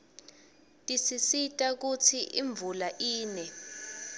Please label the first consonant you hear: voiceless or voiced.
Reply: voiceless